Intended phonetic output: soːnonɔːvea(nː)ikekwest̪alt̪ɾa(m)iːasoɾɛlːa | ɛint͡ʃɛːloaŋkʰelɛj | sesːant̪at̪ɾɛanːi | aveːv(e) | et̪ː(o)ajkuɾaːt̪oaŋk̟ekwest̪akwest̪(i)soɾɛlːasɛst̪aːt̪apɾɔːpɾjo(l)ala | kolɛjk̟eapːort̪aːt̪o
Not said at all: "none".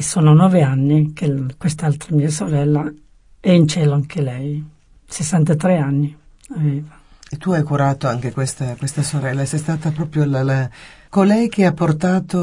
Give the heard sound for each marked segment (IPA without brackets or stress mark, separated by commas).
nː, m, a, u, a, l